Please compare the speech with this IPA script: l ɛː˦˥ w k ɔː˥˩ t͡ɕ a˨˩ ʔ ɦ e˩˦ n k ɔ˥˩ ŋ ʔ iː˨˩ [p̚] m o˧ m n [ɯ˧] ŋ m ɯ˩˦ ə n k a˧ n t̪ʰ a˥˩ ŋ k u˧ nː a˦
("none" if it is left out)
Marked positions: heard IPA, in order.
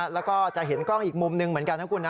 k̚, ɯ˧

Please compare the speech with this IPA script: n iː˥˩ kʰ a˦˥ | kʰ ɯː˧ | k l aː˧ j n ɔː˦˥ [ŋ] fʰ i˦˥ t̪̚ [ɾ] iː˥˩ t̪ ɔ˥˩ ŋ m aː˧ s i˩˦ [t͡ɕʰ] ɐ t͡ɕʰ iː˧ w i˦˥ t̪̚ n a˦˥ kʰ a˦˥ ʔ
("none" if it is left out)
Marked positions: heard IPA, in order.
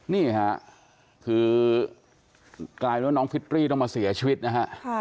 ŋ, ɾ, none

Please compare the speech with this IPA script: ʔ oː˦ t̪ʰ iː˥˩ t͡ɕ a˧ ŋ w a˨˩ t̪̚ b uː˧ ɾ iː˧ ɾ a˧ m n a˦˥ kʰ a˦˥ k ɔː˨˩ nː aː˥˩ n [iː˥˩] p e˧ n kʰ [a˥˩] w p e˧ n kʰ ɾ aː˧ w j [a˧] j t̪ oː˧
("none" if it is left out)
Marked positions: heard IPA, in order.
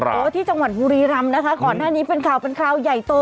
iː˦˥, a˨˩, a˨˩

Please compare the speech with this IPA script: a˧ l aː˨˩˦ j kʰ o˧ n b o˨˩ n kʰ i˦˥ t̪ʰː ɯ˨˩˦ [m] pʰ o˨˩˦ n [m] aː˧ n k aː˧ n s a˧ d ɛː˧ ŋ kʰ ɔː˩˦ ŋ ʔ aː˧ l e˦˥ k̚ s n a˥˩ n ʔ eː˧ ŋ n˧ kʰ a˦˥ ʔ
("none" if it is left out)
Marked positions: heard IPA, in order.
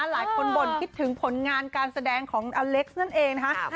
ŋ, ŋ

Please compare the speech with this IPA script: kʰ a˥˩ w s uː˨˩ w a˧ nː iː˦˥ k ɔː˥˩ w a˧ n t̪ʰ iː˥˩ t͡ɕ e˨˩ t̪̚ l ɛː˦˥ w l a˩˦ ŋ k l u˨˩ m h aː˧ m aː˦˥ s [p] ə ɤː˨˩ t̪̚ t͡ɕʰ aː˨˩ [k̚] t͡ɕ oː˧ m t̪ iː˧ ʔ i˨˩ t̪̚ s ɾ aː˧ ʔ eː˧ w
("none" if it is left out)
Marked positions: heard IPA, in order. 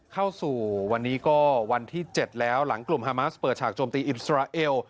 p, k̚

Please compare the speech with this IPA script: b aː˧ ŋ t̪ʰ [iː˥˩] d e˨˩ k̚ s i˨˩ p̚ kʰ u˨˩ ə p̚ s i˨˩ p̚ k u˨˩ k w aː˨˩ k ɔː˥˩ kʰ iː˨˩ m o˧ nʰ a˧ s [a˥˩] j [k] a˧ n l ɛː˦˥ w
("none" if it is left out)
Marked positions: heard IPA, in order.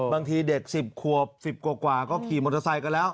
iː˧, a˧, k

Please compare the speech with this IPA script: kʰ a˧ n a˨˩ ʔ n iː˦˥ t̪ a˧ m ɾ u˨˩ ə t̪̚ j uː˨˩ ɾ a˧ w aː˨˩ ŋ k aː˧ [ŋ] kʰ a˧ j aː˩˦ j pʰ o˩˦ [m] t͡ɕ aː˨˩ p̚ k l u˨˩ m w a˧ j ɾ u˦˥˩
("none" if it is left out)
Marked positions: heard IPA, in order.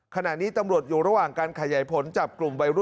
n, n

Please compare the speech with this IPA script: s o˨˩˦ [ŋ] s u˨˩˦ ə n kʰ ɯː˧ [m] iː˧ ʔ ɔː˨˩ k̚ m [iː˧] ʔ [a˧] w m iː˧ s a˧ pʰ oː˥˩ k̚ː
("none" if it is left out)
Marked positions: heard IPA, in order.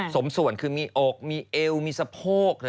m, m, iː˧, e˧

